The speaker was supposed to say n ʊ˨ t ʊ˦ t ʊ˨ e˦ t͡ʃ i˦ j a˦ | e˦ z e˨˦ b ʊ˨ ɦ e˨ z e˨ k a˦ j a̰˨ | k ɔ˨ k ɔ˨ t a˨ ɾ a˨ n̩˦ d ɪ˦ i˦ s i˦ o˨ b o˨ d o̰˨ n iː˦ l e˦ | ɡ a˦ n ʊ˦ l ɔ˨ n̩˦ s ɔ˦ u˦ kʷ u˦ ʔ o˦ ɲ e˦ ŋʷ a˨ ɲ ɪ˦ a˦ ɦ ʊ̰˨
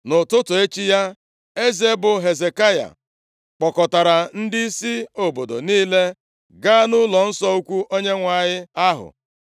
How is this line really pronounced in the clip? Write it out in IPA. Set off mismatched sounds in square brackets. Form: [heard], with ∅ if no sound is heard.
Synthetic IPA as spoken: n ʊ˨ t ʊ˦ t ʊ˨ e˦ t͡ʃ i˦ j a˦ | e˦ z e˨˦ b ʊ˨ ɦ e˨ z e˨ k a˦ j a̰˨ | [k͡p] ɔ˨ k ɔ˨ t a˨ ɾ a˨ n̩˦ d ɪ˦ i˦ s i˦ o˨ b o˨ d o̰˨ n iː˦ l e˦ | ɡ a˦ n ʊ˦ l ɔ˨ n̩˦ s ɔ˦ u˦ kʷ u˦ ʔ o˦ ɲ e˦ ŋʷ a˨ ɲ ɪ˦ a˦ ɦ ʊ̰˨